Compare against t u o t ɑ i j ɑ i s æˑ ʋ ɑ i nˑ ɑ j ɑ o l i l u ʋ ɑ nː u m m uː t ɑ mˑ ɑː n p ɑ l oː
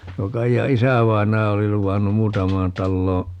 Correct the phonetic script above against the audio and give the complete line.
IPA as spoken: t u o k ɑ i j ɑ i s æˑ ʋ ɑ i nˑ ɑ j ɑ o l i l u ʋ ɑ nː u m m uː t ɑ mˑ ɑː n t ɑ lː oː